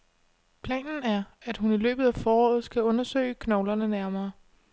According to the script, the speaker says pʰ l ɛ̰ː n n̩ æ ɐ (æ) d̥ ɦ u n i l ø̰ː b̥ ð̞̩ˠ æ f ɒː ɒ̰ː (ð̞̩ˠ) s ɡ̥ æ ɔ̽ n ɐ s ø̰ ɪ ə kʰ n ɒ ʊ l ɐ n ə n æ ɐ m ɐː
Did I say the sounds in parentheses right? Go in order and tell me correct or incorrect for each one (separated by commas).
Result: correct, correct